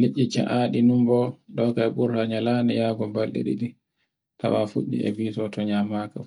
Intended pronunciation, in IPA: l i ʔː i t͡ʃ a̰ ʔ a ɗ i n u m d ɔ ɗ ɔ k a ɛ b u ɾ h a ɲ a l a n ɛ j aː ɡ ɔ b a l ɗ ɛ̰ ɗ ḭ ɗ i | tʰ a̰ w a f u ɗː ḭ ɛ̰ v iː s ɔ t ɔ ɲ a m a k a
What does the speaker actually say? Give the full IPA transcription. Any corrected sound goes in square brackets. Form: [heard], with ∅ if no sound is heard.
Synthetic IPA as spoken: l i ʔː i t͡ʃ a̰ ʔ a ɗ i n u m [b] ɔ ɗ ɔ k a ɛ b u ɾ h a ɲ a l a n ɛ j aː ɡ ɔ b a l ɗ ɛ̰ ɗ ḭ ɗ i | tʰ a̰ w a f u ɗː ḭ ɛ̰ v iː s ɔ t ɔ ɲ a m a k a